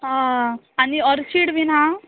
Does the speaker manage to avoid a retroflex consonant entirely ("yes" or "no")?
no